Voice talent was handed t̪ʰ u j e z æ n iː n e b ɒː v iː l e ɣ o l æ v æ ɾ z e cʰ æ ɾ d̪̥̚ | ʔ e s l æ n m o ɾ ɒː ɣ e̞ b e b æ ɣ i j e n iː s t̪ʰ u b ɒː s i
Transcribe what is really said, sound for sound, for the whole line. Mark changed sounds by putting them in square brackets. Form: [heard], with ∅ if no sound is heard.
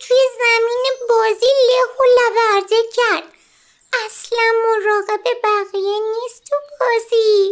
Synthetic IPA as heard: t̪ʰ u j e z æ [m] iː n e b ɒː [z] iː l e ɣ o l æ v æ ɾ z e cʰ æ ɾ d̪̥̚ | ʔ [æ] s l æ n m o ɾ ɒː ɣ e̞ b e b æ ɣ i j e n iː s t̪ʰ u b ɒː [z] i